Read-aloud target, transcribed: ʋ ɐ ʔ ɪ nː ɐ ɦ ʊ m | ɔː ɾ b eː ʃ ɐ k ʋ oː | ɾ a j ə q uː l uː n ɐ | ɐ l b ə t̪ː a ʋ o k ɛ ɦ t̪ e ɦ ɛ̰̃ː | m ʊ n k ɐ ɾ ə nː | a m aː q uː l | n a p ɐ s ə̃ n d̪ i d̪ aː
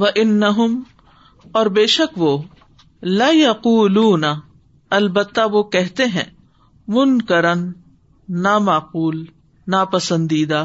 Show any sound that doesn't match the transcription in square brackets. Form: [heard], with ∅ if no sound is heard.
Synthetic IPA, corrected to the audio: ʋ ɐ ʔ ɪ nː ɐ ɦ ʊ m | ɔː ɾ b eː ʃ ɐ k ʋ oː | [l] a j [ɐ] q uː l uː n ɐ | ɐ l b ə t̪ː a ʋ o k ɛ ɦ t̪ e ɦ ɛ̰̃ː | m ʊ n k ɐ ɾ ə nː | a m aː q uː l | n a p ɐ s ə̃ n d̪ [iː] d̪ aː